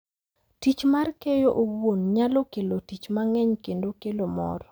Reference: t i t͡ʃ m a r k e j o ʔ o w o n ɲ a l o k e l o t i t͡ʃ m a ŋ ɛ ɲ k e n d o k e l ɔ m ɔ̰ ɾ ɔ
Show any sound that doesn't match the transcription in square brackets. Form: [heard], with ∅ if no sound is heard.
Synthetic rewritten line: t i t͡ʃ m a r k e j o ʔ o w o n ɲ a l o k e l o t i t͡ʃ m a ŋ ɛ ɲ k e n d o k e l [o] m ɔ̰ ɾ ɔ

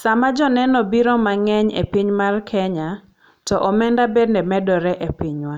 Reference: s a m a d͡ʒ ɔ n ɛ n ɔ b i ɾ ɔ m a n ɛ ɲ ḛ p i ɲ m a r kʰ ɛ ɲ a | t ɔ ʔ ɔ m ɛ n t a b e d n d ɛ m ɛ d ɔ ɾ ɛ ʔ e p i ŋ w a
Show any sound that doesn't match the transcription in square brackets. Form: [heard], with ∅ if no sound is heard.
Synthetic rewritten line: s a m a d͡ʒ ɔ n ɛ n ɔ b i ɾ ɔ m a [ŋ] ɛ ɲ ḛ p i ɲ m a r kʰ ɛ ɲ a | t ɔ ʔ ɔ m ɛ n [d] a b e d n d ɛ m ɛ d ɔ ɾ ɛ ʔ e p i [ɲ] w a

